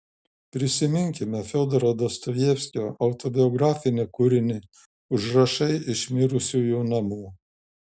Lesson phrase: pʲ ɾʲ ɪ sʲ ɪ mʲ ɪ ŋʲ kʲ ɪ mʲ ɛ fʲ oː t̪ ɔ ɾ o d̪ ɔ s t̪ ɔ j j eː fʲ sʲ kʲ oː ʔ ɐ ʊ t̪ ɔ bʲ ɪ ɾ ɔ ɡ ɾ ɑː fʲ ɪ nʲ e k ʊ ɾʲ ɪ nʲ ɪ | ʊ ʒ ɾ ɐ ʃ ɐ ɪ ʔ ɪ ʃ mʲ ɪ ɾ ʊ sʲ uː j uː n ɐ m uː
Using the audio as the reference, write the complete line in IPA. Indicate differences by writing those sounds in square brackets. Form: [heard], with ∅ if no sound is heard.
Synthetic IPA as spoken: pʲ ɾʲ ɪ sʲ ɪ mʲ ɪ ŋʲ kʲ ɪ mʲ ɛ fʲ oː [d̪] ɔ ɾ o d̪ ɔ s t̪ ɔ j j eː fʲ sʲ kʲ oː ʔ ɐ ʊ t̪ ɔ bʲ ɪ [∅] ɔ ɡ ɾ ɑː fʲ ɪ nʲ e k ʊ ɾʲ ɪ nʲ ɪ | ʊ ʒ ɾ ɐ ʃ ɐ ɪ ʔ ɪ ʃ mʲ ɪ ɾ ʊ sʲ uː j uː n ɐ m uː